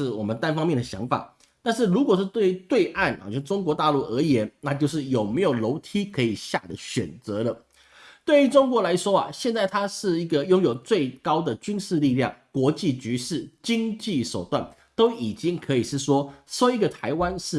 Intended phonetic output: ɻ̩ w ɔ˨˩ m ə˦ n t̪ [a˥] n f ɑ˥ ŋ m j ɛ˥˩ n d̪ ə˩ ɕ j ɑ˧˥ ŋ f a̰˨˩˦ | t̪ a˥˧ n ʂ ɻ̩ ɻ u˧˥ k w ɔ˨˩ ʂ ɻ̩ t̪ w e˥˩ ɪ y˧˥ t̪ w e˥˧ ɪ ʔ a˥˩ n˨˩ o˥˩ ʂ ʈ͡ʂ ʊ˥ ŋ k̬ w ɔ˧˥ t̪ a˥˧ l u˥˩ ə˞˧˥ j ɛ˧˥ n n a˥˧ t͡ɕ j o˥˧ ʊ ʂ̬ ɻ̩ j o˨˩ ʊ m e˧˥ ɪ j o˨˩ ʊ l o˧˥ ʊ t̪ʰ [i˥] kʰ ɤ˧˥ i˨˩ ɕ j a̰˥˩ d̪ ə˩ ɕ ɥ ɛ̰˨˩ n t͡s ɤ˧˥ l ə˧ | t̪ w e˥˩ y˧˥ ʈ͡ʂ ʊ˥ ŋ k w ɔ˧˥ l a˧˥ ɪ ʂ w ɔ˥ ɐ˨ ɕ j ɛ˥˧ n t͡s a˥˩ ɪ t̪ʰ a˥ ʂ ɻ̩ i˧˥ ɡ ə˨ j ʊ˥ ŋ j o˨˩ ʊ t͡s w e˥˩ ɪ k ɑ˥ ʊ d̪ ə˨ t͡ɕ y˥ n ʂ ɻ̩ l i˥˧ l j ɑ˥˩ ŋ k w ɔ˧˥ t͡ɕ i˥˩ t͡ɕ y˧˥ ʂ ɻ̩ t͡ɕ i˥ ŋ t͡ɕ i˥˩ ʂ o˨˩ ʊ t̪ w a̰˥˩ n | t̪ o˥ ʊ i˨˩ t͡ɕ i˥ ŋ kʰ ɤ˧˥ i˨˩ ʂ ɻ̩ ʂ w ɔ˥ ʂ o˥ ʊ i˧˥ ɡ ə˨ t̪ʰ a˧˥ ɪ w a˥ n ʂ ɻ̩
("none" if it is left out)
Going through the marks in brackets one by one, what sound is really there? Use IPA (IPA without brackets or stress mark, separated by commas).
a˥, i˥